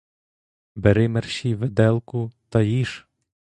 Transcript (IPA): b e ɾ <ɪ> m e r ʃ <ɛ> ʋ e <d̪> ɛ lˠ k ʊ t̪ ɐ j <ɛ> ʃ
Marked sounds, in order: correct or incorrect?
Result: correct, incorrect, correct, incorrect

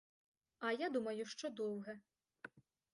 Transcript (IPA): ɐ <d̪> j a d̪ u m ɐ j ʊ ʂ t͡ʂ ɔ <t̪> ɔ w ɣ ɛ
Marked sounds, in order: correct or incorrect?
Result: incorrect, incorrect

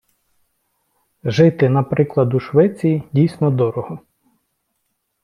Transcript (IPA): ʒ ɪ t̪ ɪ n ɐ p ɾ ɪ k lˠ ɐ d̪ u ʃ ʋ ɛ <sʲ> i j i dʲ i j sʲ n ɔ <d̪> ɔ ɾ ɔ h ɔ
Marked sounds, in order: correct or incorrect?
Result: incorrect, correct

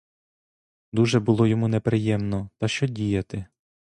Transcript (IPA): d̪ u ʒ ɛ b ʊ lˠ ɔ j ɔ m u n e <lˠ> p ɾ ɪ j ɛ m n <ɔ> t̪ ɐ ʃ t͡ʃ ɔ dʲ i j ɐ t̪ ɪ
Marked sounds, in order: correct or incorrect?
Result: incorrect, correct

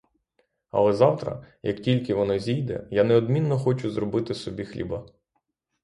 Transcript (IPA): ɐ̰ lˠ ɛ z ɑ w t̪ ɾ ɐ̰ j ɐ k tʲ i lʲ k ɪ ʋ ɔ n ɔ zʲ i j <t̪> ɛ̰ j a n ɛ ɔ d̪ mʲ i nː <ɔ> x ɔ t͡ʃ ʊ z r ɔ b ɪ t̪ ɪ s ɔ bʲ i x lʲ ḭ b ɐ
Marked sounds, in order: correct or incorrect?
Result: incorrect, correct

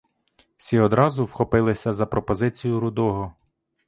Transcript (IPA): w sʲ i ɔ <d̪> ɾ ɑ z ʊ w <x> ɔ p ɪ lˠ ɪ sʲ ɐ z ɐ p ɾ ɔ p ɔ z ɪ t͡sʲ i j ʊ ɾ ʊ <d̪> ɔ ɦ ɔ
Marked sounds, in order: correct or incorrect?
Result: correct, correct, correct

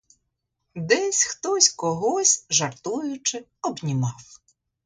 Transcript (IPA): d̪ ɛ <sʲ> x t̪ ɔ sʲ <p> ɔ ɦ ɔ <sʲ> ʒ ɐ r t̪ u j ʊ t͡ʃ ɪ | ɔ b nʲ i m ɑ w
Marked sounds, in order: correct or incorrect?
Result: correct, incorrect, correct

